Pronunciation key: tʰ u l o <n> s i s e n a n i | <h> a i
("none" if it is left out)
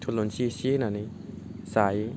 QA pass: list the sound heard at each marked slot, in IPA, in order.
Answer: n, s

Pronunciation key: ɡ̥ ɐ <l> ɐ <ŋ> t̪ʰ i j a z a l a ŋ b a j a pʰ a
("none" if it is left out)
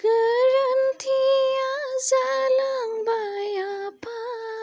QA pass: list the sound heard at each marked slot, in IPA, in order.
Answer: ɾ, n

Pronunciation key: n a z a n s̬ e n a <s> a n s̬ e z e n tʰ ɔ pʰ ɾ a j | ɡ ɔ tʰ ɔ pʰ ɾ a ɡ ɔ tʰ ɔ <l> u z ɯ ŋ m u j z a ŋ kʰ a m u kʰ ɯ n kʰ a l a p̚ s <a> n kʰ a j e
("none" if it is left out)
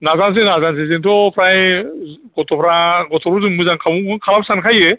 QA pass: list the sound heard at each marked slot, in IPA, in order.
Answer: z, ɾ, a

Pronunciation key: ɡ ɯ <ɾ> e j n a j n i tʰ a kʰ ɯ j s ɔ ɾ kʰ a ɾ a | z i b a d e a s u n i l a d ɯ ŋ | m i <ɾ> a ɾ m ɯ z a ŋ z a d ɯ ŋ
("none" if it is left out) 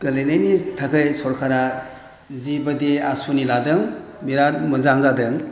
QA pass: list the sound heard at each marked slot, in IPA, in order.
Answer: l, ɾ

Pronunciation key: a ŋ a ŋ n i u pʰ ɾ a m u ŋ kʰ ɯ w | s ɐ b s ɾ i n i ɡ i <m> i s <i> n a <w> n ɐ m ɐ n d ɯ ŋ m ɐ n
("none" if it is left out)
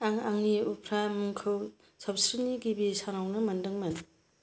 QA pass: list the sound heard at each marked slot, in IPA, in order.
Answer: b, a, w

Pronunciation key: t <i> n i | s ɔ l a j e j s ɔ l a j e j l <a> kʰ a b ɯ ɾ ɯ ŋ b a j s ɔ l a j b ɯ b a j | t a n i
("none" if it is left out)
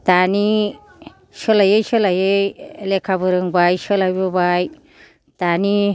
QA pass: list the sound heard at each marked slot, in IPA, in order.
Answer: a, e

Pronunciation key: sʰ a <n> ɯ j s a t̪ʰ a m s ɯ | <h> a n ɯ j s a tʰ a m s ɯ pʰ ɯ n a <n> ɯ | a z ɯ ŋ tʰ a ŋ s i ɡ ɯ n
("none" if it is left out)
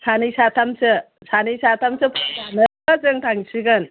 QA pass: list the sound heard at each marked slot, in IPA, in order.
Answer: n, s, n

